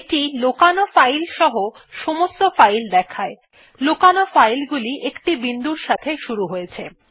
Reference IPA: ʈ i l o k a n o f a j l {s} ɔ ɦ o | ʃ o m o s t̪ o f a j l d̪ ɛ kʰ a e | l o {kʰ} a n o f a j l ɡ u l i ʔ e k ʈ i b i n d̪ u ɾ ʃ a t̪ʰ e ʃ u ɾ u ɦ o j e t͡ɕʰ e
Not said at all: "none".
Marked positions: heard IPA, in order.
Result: ʃ, k

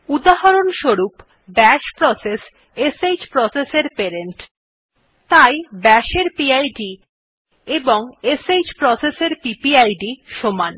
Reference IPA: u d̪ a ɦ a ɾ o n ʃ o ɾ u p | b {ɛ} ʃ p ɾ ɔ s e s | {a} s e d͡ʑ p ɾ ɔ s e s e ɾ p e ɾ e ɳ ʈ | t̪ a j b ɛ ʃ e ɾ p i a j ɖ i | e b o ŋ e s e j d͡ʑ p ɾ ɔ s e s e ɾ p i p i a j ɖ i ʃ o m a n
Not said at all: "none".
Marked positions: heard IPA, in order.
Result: ɛ, e

